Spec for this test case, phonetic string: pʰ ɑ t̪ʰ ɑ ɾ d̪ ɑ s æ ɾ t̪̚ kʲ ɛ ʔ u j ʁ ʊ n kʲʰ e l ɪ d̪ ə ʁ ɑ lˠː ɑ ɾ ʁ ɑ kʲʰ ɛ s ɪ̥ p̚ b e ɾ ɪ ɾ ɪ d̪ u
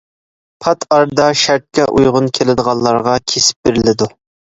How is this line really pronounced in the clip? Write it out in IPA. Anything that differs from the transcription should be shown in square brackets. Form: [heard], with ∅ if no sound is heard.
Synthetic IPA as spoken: pʰ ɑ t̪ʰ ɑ ɾ d̪ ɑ [ʃ] æ ɾ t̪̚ kʲ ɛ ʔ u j ʁ ʊ n kʲʰ e l ɪ d̪ ə ʁ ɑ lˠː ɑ ɾ ʁ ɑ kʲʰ [e] s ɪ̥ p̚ b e ɾ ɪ [l] ɪ d̪ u